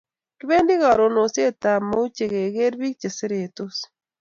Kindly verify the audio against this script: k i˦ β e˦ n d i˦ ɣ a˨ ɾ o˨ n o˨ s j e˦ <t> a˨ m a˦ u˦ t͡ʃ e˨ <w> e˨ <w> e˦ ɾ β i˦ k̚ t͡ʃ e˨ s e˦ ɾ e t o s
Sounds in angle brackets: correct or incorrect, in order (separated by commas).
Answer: correct, incorrect, incorrect